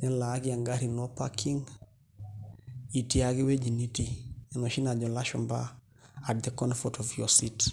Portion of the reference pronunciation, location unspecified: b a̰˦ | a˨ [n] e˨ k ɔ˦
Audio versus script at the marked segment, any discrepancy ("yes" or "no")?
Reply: yes